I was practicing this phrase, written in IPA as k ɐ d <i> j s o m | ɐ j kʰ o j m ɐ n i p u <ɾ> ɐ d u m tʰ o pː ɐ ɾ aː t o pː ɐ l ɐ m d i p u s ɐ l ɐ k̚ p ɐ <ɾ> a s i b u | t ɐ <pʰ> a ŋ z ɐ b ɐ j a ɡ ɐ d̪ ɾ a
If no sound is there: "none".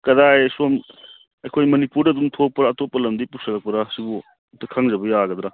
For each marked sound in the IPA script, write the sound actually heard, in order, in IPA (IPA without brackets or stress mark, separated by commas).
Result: a, ɾ, ɾ, kʰ